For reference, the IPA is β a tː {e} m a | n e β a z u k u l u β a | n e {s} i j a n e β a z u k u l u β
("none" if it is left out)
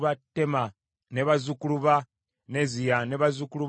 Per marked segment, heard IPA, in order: e, z

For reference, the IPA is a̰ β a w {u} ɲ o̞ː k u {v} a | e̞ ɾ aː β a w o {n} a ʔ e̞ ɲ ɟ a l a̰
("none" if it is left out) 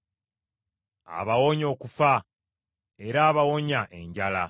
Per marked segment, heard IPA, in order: o, f, ɲ

